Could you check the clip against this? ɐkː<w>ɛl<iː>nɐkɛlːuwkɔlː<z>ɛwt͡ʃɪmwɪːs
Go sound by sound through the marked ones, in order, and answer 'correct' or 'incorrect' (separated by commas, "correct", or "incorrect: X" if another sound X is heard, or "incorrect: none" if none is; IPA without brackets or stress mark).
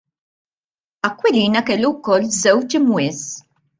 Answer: correct, correct, correct